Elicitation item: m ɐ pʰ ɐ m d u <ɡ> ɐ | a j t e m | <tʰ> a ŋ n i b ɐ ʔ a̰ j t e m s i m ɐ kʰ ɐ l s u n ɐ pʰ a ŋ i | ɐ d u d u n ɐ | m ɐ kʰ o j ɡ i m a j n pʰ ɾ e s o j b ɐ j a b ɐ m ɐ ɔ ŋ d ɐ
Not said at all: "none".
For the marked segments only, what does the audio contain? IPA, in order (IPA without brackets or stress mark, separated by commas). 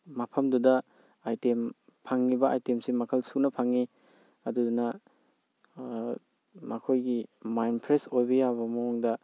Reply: d, pʰ